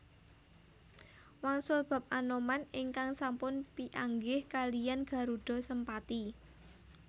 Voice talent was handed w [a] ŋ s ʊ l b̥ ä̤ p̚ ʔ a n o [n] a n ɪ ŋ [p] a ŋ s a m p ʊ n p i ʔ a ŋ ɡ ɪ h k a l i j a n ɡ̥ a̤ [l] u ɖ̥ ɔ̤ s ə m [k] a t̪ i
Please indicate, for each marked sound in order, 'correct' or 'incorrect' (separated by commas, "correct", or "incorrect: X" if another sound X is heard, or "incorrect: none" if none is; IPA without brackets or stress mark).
correct, incorrect: m, incorrect: k, incorrect: ɾ, incorrect: p